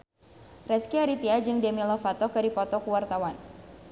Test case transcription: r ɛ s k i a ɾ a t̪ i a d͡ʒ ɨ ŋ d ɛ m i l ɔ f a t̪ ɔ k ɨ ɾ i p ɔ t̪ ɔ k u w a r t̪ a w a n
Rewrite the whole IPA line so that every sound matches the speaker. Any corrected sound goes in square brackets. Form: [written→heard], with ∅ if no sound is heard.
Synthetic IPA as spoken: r ɛ s k i a ɾ [a→i] t̪ i a d͡ʒ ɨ ŋ d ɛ m i l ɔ f a t̪ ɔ k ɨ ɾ i p ɔ t̪ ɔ k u w a r t̪ a w a n